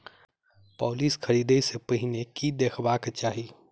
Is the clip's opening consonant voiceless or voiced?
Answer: voiceless